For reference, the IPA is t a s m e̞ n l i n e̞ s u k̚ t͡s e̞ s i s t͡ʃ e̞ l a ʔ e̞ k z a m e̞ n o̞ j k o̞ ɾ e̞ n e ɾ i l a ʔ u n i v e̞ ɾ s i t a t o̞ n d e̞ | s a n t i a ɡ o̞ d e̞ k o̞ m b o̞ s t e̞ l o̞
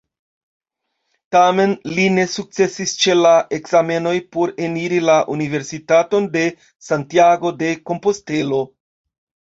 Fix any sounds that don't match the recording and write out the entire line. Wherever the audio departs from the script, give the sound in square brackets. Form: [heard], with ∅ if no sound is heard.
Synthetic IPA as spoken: t a [∅] m e̞ n l i n e̞ s u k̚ t͡s e̞ s i s t͡ʃ e̞ l a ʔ e̞ k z a m e̞ n o̞ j [p] o̞ ɾ e̞ n [i] ɾ i l a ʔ u n i v e̞ ɾ s i t a t o̞ n d e̞ | s a n t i a ɡ o̞ d e̞ k o̞ m [p] o̞ s t e̞ l o̞